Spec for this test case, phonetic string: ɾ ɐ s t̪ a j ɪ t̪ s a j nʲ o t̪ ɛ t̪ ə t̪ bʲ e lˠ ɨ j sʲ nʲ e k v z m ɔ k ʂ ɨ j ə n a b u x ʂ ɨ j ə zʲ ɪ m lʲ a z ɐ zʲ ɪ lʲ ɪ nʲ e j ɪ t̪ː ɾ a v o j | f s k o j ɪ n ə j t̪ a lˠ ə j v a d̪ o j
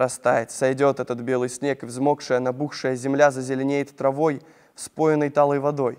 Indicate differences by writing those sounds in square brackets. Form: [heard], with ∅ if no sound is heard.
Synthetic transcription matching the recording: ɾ ɐ s t̪ a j ɪ t̪ s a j [dʲ] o t̪ ɛ t̪ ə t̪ bʲ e lˠ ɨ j sʲ nʲ e k v z m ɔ k ʂ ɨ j ə n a b u x ʂ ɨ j ə zʲ ɪ m lʲ a z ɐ zʲ ɪ lʲ ɪ nʲ e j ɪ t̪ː ɾ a v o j | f s [p] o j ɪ n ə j t̪ a lˠ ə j v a d̪ o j